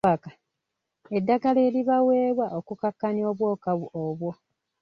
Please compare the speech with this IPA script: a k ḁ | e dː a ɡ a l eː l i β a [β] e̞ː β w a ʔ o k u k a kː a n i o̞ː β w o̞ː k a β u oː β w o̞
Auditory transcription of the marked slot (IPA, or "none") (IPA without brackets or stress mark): w